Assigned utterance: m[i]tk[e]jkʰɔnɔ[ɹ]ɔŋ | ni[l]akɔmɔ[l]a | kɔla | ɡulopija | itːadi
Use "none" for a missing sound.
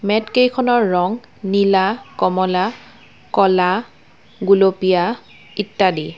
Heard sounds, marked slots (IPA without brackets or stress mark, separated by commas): ɛ, e, ɹː, l, l